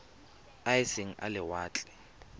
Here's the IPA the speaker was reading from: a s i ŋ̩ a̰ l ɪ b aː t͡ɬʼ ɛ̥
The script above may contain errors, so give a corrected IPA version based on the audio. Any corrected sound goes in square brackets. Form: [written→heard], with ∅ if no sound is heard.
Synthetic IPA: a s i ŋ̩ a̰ l ɪ [b→w] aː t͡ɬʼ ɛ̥